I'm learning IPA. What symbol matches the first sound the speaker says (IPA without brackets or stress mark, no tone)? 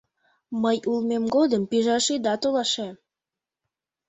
m